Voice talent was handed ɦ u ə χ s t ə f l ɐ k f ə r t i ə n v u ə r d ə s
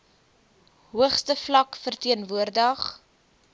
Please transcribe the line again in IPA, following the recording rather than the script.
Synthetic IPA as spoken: ɦ u ə χ s t ə f l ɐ k f ə r t i ə n v u ə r d ə χ

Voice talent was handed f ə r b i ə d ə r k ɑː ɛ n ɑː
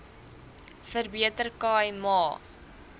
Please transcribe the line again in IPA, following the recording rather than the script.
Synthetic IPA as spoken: f ə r b i ə t ə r k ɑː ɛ m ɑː

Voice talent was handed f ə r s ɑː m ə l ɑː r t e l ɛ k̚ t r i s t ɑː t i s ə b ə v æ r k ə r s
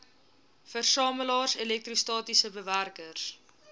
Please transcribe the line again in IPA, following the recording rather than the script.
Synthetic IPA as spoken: f ə r s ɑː m ə l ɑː r s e l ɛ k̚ t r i s t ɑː t i s ə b ə v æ r k ə r s

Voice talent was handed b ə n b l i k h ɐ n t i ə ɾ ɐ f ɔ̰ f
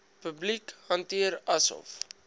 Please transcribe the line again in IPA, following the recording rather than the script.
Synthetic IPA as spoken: p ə b l i k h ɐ n t i ə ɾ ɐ s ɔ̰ f

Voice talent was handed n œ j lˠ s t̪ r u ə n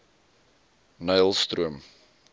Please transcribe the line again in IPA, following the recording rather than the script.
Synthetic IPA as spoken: n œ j lˠ s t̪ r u ə m

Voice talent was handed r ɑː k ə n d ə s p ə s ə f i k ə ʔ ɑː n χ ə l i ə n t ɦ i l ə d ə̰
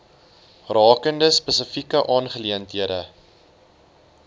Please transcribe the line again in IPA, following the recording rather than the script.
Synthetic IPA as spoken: r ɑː k ə n d ə s p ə s ə f i k ə ʔ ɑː n χ ə l i ə n t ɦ i ə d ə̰

